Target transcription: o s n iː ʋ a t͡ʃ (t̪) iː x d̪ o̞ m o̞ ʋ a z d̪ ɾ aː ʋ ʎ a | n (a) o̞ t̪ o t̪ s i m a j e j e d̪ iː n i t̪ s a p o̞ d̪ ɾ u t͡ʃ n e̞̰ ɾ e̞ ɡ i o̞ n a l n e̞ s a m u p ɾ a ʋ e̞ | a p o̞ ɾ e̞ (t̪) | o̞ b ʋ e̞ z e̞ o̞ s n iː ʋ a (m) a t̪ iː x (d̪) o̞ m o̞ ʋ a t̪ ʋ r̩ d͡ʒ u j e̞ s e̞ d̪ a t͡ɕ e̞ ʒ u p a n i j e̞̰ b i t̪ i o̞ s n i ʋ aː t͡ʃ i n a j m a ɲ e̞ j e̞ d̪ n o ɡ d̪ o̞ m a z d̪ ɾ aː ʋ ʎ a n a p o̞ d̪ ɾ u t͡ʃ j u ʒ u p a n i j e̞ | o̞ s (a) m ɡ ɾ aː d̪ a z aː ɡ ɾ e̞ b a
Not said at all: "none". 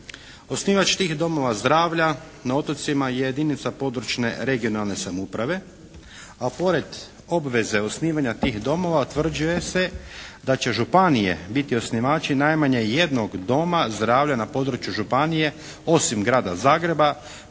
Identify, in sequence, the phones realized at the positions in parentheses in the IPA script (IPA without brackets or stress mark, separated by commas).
t̪, a, d̪, ɲ, d̪, i